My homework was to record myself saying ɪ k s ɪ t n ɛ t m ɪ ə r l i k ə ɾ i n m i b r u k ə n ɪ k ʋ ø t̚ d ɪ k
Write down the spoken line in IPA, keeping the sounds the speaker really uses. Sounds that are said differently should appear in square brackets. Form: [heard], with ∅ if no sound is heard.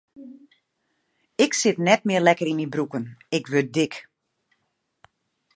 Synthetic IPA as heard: ɪ k s ɪ t n ɛ t m ɪ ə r l [ɛ] k ə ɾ i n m i b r u k ə n ɪ k ʋ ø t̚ d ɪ k